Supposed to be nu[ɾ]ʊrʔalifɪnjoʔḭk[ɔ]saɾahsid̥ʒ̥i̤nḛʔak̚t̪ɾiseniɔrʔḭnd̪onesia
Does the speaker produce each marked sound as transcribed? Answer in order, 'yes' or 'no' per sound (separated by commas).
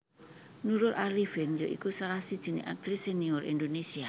yes, no